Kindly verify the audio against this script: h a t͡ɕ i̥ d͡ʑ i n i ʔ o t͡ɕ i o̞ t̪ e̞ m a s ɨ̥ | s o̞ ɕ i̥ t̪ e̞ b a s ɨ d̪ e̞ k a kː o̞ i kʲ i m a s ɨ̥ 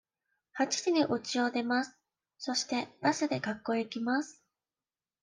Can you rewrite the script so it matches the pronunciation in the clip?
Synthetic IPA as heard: h a t͡ɕ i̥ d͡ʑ i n i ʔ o t͡ɕ i o̞ d̪ e̞ m a s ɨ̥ | s o̞ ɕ i̥ t̪ e̞ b a s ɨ d̪ e̞ k a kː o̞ i kʲ i m a s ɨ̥